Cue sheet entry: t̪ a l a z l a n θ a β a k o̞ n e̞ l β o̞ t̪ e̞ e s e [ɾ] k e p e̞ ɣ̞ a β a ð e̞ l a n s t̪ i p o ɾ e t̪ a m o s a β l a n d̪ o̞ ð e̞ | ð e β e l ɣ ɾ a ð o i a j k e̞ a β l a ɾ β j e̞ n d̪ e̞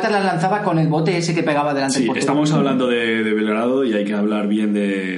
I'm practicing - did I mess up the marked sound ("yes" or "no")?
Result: yes